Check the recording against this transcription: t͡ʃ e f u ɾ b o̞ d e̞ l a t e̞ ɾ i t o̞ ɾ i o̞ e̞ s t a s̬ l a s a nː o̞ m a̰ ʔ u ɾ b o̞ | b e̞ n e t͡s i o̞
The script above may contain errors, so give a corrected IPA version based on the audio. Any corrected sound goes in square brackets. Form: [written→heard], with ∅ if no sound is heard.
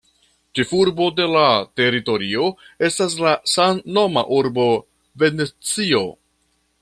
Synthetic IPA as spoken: t͡ʃ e f u ɾ b o̞ d e̞ l a t e̞ ɾ i t o̞ ɾ i o̞ e̞ s t a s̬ l a s a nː o̞ m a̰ ʔ u ɾ b o̞ | [b→v] e̞ n e t͡s i o̞